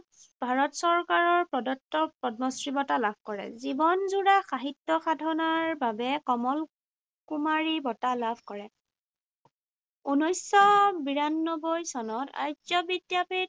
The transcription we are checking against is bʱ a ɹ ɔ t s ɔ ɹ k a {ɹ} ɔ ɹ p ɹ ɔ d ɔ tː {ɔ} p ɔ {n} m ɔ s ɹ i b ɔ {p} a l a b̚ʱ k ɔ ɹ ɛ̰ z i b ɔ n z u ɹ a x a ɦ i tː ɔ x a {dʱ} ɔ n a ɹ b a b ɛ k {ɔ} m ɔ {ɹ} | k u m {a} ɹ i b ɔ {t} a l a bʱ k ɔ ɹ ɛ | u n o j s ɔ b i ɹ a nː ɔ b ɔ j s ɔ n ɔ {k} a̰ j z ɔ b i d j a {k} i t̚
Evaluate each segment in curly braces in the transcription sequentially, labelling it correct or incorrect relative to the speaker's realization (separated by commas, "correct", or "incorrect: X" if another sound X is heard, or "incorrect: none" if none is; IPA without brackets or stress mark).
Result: correct, correct, incorrect: d, incorrect: t, correct, correct, incorrect: l, correct, correct, incorrect: t, incorrect: p